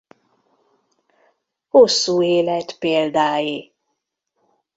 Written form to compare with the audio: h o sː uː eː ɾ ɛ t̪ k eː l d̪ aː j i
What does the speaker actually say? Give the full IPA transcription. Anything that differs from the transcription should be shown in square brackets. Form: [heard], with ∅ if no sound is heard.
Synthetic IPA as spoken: h o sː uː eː [l] ɛ t̪ [p] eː l d̪ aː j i